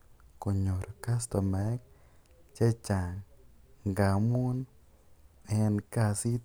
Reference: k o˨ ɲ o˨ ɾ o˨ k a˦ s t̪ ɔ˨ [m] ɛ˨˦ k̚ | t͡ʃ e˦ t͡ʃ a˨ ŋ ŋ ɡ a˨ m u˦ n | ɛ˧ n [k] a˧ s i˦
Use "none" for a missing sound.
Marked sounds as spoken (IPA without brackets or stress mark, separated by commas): m, k